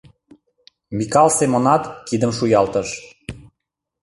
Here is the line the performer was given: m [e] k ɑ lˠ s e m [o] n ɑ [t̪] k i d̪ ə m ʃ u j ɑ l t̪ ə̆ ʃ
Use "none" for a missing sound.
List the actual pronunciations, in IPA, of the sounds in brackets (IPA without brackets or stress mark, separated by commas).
i, o, t̪